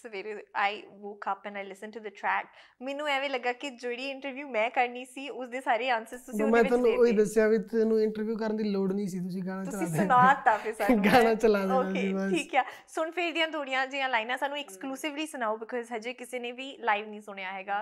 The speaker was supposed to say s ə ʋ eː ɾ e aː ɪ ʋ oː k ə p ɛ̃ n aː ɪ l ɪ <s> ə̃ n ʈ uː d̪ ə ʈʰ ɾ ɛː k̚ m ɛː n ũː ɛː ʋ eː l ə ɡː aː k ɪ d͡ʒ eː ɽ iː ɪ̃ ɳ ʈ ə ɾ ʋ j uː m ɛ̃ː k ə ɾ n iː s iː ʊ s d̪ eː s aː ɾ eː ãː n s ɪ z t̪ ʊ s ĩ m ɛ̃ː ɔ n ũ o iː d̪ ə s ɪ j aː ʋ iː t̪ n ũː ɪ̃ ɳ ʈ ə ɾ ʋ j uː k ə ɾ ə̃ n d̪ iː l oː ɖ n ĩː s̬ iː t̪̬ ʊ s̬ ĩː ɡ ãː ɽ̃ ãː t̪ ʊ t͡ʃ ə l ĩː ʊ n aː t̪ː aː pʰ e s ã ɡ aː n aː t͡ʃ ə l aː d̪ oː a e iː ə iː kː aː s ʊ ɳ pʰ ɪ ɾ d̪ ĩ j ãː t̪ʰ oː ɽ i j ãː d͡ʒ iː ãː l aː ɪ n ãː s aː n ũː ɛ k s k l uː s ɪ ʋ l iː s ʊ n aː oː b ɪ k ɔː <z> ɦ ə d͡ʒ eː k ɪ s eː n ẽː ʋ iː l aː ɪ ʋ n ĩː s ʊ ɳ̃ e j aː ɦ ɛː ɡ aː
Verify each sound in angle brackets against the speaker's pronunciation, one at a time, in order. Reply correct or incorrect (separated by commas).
correct, correct